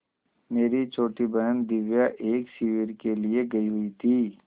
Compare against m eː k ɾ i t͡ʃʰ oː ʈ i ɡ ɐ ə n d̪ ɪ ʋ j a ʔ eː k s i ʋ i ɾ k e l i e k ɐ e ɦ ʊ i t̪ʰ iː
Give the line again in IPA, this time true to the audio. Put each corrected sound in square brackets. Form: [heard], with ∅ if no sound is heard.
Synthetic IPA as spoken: m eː [∅] ɾ i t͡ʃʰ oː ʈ i [b] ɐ ə n d̪ ɪ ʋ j a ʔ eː k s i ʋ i ɾ k e l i e [ɡ] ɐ [i] ɦ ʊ i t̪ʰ iː